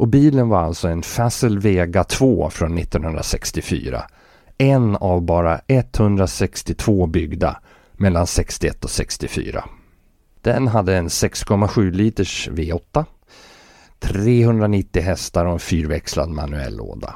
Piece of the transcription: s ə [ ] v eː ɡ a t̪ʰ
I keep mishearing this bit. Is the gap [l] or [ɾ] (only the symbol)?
l